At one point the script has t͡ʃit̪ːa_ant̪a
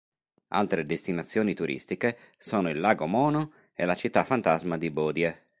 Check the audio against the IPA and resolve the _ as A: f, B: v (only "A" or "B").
A